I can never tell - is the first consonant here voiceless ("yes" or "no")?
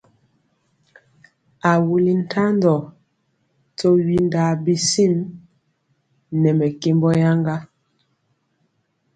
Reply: no